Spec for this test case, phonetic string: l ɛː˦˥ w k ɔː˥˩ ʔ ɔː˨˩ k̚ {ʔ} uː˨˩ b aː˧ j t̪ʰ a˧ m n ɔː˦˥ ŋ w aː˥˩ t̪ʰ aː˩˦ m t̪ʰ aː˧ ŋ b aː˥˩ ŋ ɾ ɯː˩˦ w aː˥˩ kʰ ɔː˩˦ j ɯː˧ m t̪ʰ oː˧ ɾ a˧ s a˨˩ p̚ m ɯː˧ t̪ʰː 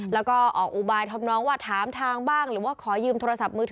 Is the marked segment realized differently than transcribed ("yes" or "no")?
no